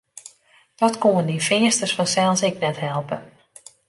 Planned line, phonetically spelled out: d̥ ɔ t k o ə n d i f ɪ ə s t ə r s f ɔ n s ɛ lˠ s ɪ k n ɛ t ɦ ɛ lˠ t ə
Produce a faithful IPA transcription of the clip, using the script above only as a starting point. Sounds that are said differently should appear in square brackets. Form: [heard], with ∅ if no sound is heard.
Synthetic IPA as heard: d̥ ɔ t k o ə n d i f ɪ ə s t ə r s f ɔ n s ɛ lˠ s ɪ k n ɛ t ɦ ɛ lˠ [p] ə

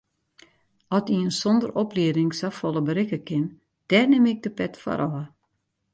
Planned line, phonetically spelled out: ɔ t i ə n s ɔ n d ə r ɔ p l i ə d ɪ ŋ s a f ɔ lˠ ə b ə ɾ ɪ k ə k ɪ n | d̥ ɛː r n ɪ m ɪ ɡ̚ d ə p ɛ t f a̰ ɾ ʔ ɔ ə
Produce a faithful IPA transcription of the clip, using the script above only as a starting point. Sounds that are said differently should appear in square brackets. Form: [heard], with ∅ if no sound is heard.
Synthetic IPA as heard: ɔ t i ə n s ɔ n d ə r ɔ p l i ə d ɪ ŋ s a f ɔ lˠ ə b ə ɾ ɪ k ə k ɪ n | d̥ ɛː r n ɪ m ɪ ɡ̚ d ə p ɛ t f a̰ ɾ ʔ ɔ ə

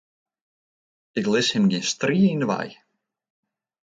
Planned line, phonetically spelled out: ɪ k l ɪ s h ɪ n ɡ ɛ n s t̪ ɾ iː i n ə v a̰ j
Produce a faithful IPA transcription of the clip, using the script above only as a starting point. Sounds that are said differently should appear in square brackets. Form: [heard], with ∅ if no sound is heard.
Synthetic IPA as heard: ɪ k l ɪ s h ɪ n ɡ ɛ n s t̪ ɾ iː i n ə v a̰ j

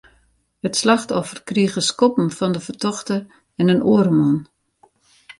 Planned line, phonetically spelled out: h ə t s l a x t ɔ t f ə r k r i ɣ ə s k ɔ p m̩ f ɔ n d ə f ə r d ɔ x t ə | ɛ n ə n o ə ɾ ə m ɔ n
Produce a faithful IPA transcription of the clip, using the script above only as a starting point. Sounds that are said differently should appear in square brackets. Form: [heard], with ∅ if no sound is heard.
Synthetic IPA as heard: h ə t s l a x t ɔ [∅] f ə r k r i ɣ ə s k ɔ p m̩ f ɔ n d ə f ə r [t] ɔ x t ə | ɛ n ə n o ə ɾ ə m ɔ n

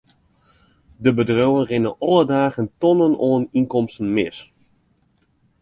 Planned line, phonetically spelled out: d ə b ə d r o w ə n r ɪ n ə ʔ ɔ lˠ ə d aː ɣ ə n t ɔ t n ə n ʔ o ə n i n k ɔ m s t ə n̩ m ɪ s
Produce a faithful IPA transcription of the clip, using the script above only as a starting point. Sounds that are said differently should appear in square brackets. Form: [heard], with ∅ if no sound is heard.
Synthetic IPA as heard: d ə b ə d r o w ə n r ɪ n ə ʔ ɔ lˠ ə d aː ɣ ə n t ɔ [∅] n ə n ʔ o ə n i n k ɔ m s t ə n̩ m ɪ s

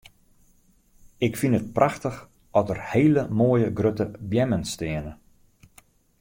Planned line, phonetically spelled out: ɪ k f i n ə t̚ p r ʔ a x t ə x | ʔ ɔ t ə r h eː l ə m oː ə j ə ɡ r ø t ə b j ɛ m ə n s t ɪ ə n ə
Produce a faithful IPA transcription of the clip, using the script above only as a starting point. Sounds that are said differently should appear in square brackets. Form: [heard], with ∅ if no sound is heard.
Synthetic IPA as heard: ɪ k f i n ə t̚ p r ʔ a x t ə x | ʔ ɔ t ə r h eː l ə m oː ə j ə ɡ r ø t ə b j ɛ m ə n s t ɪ ə n ə

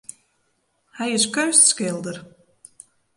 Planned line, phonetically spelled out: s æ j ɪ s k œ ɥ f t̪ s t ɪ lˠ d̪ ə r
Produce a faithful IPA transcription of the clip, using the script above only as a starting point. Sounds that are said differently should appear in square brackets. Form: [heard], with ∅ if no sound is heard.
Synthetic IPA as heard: [h] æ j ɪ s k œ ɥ [s] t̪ s [k] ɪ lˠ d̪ ə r

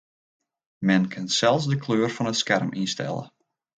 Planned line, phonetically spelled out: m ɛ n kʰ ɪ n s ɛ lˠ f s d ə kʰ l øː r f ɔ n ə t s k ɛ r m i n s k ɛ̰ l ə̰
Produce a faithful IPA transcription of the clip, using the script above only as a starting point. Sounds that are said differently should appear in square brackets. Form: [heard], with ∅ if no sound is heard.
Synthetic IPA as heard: m ɛ n kʰ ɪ n s ɛ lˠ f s d ə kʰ l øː r f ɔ n ə t s k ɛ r m i n s [t] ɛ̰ l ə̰

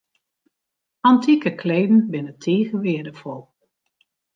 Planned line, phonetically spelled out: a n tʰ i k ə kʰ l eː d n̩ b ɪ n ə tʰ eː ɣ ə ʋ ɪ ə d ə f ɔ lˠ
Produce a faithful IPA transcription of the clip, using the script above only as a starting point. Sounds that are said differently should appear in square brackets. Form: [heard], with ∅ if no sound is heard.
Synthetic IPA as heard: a n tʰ i k ə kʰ l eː d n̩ b ɪ n ə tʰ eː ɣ ə ʋ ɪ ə d ə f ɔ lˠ

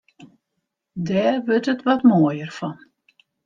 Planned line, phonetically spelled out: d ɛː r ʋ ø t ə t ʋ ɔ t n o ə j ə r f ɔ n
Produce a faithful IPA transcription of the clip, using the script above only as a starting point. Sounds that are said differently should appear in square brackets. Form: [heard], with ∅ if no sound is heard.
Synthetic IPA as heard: d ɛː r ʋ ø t ə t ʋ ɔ t [m] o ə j ə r f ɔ n

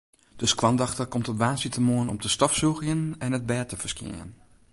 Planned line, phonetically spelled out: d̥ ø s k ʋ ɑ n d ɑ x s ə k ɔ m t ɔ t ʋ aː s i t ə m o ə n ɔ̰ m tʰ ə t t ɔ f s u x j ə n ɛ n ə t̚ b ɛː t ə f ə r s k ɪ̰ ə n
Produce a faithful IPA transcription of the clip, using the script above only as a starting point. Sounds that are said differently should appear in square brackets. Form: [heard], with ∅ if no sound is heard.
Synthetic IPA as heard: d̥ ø s k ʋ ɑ n d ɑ x [t] ə k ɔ m t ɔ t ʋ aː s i t ə m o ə n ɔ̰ m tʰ ə [s] t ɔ f s u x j ə n ɛ n ə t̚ b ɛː t ə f ə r s k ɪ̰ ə n

